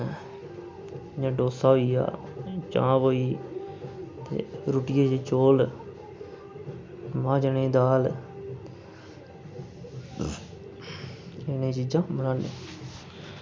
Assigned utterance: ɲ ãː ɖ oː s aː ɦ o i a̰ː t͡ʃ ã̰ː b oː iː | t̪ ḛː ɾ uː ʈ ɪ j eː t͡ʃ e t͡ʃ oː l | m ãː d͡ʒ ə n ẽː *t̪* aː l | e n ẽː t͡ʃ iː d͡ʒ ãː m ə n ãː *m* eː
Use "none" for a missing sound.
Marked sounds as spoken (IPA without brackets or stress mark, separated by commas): d̪, n